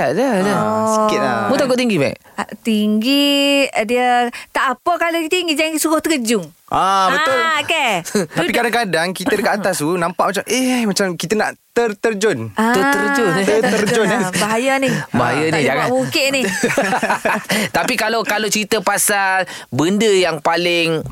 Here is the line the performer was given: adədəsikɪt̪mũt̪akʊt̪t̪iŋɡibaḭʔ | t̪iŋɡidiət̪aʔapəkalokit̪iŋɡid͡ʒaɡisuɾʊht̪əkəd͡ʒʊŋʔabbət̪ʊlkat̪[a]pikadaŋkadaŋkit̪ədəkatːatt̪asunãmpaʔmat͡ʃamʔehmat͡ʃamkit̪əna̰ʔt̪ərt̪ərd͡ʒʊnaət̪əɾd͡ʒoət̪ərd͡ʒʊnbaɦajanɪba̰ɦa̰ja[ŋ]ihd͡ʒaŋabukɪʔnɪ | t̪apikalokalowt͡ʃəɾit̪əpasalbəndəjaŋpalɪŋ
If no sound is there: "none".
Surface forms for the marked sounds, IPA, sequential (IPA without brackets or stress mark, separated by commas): a, n